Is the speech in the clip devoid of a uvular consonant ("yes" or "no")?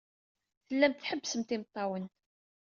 yes